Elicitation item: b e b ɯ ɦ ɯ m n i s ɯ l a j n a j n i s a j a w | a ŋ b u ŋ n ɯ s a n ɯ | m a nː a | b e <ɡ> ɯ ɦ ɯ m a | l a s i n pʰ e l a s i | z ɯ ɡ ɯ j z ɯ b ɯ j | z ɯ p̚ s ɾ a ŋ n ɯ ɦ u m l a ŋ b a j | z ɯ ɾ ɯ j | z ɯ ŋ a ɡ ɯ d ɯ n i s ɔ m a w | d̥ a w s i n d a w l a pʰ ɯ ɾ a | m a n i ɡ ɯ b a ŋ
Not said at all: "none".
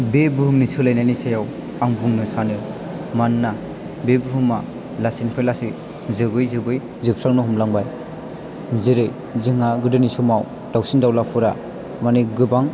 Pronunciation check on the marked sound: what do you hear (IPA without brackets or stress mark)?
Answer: b